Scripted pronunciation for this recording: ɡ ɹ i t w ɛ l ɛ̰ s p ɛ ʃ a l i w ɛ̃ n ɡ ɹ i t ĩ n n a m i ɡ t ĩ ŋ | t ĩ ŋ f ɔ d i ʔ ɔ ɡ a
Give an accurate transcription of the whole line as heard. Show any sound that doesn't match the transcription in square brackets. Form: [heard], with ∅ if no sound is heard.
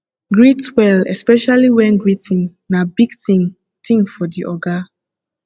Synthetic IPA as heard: ɡ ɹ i t w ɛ l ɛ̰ s p ɛ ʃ a l i w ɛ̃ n ɡ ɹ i t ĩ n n a [b] i ɡ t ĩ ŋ | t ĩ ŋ f ɔ d i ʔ ɔ ɡ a